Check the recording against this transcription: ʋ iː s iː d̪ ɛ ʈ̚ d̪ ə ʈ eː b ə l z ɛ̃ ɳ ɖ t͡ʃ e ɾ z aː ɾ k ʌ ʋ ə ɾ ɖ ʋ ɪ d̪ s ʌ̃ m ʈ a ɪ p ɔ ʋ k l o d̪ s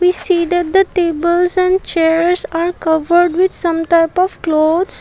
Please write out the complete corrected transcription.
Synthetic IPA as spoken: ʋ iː s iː d̪ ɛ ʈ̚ d̪ ə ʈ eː b ə l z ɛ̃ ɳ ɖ t͡ʃ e ɾ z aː ɾ k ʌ ʋ ə ɾ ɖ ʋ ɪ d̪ s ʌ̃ m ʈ a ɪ p ɔ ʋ k l o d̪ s